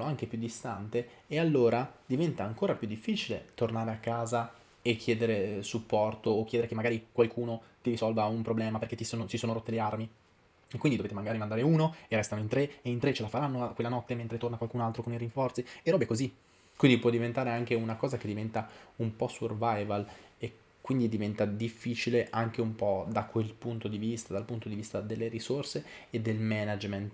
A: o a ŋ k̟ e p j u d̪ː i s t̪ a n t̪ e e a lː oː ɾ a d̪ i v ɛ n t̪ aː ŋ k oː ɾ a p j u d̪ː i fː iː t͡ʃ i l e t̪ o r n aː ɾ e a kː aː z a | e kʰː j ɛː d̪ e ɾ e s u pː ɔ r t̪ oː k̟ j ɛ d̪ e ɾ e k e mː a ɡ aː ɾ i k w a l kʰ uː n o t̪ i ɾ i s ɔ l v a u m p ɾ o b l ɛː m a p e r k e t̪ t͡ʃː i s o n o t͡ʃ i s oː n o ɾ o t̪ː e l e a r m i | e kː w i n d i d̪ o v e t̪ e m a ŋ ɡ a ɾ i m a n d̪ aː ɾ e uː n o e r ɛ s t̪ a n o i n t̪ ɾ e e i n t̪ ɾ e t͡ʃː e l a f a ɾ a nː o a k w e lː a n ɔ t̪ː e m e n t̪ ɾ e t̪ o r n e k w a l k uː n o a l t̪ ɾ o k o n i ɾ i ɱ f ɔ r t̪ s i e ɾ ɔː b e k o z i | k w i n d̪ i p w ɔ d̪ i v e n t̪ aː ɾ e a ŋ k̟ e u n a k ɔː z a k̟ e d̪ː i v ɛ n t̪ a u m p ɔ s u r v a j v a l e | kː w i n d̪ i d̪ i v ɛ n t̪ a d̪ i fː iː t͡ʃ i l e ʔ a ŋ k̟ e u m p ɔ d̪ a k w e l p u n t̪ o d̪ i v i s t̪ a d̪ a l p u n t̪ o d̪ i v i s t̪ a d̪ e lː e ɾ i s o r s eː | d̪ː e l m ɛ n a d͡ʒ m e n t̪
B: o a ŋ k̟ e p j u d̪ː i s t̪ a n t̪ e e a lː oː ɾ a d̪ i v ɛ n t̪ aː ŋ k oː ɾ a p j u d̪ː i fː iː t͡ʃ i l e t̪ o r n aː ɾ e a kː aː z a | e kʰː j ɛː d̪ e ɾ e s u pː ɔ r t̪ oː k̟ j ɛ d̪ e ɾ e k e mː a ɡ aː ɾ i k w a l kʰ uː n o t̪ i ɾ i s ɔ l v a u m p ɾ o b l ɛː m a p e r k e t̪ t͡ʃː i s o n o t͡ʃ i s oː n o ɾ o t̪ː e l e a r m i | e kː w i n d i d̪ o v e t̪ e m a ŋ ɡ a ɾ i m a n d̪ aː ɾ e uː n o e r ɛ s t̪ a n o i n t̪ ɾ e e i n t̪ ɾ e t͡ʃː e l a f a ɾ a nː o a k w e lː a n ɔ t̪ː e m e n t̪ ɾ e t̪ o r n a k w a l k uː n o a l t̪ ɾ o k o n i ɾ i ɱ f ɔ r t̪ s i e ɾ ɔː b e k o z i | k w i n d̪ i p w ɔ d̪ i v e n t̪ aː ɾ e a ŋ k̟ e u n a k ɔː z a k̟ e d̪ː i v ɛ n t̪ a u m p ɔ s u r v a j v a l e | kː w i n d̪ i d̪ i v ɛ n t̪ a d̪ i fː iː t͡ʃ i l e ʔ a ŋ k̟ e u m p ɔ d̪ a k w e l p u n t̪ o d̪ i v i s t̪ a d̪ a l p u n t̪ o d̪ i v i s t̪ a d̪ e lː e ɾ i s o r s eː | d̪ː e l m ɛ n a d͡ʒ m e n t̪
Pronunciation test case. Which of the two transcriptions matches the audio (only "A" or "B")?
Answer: B